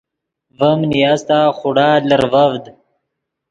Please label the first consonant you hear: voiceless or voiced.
voiced